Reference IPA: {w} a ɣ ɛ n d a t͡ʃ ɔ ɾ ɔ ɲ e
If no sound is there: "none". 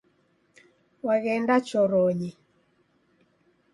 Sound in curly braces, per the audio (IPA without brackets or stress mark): w